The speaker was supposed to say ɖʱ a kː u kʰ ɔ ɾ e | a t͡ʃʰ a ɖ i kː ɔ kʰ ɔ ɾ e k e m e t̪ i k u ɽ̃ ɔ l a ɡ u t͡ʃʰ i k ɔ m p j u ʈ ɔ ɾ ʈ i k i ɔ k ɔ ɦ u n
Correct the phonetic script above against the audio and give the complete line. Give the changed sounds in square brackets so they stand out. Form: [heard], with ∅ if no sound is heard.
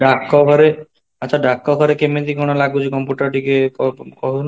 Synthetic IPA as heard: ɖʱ a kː [ɔ] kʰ ɔ ɾ e | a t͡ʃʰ a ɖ [a] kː ɔ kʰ ɔ ɾ e k e m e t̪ i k [ɔ] ɽ̃ ɔ l a ɡ u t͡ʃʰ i k ɔ m p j u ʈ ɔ ɾ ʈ i k [e] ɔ k ɔ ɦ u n